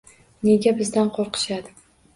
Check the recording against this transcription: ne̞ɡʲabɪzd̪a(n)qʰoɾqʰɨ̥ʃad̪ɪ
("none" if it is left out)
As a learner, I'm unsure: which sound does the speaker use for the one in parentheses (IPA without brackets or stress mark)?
n